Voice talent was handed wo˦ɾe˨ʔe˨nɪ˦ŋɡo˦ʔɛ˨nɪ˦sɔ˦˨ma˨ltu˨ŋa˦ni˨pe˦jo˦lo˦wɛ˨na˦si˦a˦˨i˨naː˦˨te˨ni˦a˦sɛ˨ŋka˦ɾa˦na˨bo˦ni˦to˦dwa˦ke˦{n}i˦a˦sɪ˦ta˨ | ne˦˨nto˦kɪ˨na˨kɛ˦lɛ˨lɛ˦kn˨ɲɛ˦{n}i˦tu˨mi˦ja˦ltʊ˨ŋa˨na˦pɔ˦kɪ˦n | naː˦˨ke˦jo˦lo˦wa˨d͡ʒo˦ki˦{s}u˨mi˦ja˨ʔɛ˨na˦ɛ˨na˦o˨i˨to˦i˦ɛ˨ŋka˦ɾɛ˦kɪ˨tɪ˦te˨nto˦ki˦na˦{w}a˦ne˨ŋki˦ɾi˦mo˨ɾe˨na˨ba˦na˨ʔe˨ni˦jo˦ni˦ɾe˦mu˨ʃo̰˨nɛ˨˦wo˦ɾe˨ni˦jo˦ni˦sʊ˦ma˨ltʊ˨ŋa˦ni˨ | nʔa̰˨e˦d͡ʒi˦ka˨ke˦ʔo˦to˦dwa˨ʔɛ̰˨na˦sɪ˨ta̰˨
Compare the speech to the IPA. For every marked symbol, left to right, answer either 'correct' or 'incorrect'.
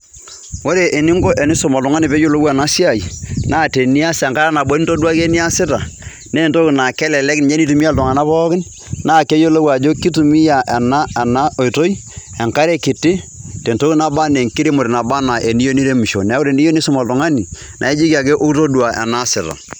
correct, correct, incorrect, incorrect

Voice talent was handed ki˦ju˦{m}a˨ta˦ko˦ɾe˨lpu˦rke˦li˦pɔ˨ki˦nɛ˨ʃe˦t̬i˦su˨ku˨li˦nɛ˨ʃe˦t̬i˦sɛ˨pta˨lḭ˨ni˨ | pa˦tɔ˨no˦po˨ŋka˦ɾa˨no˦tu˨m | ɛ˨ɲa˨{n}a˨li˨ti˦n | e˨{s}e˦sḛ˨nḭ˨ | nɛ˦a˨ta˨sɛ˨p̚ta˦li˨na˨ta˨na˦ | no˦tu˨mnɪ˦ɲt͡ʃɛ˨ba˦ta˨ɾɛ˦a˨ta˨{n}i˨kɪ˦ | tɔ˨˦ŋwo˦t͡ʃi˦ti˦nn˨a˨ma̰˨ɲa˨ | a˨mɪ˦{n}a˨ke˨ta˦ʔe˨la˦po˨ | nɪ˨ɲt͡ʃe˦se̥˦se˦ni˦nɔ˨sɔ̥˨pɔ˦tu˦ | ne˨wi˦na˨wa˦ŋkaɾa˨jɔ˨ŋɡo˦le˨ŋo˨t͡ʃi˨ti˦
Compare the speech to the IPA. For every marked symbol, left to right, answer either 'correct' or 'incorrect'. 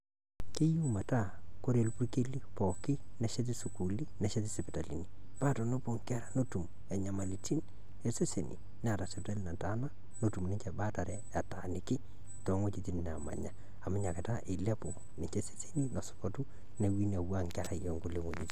correct, incorrect, correct, correct, incorrect

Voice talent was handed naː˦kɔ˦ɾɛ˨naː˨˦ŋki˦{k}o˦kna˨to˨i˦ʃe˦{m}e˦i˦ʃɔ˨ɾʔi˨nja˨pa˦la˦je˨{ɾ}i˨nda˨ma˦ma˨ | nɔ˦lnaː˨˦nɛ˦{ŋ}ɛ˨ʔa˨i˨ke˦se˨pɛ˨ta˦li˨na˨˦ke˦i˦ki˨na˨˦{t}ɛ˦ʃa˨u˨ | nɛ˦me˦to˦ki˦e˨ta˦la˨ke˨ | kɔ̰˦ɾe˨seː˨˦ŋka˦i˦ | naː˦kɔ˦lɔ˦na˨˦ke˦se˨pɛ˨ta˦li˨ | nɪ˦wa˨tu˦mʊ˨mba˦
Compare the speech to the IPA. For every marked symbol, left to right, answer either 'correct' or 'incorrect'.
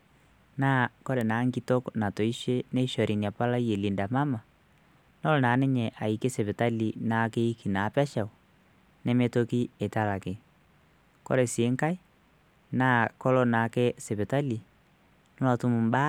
incorrect, incorrect, incorrect, incorrect, incorrect

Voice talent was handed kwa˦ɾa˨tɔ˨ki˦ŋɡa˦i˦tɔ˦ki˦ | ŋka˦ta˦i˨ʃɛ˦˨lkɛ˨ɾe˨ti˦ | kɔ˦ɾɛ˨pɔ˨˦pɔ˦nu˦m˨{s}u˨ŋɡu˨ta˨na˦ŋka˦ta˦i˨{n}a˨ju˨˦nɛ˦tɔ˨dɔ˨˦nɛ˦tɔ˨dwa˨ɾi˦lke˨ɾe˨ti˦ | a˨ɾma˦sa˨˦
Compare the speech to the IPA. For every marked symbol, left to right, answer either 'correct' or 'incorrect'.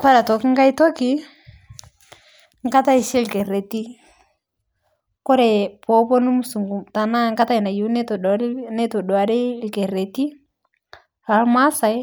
correct, correct

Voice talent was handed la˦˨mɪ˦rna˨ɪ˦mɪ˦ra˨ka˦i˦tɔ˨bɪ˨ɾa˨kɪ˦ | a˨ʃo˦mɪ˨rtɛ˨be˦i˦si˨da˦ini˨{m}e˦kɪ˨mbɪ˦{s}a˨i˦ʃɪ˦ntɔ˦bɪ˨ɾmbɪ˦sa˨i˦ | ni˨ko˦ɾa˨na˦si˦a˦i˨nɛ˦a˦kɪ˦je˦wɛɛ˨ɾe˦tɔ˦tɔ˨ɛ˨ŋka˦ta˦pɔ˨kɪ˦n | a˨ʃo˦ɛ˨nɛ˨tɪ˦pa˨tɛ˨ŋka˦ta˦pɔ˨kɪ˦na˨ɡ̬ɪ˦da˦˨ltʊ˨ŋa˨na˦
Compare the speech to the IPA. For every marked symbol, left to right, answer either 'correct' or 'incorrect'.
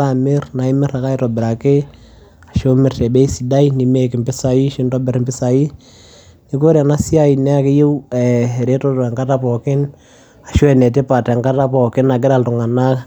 correct, correct

